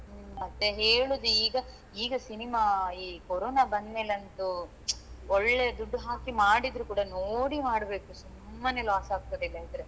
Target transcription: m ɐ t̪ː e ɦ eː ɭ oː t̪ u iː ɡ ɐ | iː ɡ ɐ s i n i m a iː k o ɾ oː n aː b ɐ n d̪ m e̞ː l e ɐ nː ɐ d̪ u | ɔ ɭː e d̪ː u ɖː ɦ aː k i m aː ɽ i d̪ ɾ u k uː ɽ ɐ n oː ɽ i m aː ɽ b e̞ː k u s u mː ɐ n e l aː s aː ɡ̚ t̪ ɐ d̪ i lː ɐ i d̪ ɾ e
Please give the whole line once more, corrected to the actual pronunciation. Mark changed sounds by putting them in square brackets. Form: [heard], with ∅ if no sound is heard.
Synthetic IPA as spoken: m ɐ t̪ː e ɦ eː ɭ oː [d̪] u iː ɡ ɐ | iː ɡ ɐ s i n i m a iː k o ɾ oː n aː b ɐ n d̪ m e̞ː l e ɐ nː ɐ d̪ u | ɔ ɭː e [d̪] u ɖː ɦ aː k i m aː ɽ i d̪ ɾ u k uː ɽ ɐ n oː ɽ i m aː ɽ b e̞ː k u s u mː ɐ n e l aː s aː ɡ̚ t̪ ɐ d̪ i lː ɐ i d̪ ɾ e